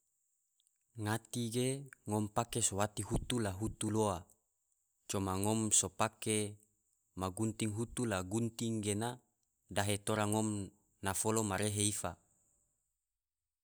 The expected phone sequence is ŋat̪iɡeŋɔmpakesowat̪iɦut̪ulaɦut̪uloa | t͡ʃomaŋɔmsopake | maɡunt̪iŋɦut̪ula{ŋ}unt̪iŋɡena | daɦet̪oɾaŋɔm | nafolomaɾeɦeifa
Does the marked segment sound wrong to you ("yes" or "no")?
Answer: yes